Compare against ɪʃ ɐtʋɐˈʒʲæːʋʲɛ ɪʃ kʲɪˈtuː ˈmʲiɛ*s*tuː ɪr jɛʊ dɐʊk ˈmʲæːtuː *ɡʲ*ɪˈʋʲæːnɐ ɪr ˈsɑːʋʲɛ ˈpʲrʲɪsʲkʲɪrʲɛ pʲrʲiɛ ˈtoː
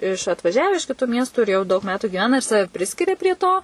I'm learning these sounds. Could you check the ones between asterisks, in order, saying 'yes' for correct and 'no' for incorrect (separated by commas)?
yes, yes